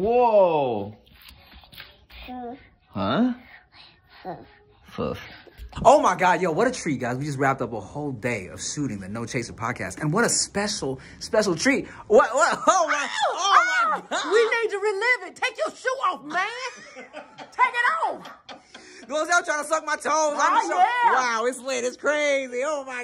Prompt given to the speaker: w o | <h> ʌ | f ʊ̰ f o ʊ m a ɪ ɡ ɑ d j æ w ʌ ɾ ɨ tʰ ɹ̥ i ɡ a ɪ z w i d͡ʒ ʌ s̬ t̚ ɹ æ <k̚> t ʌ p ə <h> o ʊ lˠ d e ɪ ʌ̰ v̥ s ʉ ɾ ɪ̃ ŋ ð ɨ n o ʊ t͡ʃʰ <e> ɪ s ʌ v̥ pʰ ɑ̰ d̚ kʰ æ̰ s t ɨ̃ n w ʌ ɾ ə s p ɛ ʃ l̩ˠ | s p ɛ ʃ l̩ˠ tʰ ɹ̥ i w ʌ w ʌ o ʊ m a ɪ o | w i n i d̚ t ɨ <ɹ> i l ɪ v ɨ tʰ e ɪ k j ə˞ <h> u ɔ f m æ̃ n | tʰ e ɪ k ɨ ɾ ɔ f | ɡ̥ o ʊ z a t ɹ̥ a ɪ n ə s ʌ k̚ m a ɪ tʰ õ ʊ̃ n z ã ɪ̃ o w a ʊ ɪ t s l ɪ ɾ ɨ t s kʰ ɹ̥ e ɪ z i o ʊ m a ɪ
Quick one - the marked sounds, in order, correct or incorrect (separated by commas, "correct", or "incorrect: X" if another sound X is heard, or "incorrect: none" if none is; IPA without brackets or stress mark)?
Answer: correct, incorrect: p̚, correct, correct, correct, incorrect: ʃ